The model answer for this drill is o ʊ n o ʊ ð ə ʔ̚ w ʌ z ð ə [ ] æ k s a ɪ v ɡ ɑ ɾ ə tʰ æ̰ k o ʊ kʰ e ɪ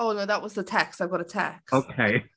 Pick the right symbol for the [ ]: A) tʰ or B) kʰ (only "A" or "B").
A